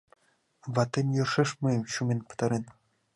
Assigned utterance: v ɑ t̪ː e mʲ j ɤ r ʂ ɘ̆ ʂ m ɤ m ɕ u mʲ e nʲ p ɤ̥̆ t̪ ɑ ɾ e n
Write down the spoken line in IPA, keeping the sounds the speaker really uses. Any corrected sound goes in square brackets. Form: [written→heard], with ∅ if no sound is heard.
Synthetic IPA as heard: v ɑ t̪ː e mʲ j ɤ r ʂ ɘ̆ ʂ m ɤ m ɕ u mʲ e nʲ p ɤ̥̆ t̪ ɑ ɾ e n